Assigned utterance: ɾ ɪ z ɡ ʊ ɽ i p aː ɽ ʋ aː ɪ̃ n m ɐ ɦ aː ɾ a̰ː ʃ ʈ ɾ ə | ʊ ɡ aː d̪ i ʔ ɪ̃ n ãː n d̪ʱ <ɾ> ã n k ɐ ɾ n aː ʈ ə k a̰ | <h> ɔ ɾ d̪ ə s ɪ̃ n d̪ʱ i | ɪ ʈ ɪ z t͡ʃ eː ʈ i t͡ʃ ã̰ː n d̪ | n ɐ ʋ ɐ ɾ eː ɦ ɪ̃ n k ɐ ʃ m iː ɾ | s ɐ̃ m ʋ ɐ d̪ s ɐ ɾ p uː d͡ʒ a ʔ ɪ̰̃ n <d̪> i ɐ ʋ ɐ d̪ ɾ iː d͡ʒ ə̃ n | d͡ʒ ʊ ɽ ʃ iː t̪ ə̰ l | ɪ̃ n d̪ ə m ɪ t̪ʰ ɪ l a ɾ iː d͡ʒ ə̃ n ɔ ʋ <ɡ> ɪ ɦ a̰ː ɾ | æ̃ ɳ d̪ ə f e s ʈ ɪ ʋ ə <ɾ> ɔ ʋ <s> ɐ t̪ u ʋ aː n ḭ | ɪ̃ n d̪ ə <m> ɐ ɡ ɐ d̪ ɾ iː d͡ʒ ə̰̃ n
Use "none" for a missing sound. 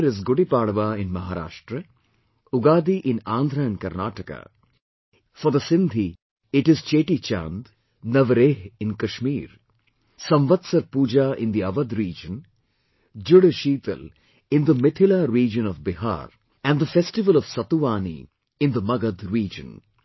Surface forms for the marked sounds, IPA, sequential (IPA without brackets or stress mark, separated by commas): ɾ, f, d̪, b, l, s, m